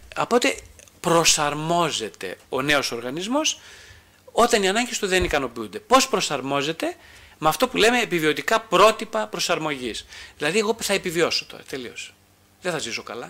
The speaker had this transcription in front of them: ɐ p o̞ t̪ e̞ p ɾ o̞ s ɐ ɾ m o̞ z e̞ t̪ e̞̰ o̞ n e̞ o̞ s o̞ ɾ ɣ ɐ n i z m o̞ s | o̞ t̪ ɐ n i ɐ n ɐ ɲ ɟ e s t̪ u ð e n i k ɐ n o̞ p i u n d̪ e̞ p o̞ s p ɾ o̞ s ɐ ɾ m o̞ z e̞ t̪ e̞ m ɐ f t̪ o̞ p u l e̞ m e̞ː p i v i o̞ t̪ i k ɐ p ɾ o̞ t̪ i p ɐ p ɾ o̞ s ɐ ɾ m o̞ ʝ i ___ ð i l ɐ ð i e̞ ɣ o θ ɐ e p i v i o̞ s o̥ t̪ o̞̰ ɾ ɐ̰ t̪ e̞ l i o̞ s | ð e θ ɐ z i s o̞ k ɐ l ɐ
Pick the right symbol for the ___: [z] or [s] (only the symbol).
s